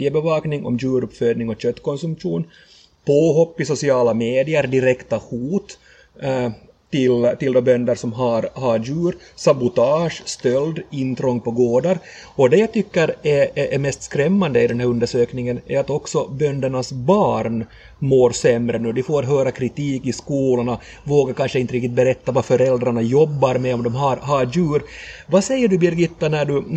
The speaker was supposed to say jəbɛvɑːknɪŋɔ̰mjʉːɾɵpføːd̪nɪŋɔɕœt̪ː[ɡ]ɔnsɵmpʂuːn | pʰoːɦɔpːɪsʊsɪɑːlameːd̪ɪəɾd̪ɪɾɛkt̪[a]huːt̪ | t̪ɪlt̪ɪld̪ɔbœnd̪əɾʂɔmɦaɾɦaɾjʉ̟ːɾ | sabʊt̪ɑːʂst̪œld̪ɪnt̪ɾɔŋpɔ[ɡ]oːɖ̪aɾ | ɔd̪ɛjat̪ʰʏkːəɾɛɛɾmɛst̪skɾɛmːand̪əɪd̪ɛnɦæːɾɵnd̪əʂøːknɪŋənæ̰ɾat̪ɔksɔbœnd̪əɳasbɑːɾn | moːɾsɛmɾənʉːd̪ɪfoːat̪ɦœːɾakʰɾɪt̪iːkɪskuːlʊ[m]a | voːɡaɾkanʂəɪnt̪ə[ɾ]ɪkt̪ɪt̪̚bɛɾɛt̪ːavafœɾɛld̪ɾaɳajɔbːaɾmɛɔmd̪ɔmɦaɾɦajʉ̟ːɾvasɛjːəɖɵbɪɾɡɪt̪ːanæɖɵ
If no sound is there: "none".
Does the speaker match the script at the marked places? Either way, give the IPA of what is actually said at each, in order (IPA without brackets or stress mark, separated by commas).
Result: k, a, ɡ, ɳ, ɾ